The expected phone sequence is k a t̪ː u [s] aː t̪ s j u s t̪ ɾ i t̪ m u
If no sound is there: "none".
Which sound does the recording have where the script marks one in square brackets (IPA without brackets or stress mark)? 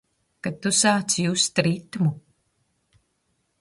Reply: s